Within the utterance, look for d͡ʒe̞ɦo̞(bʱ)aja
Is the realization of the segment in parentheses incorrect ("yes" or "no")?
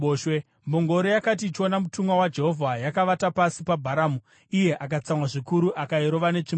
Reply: yes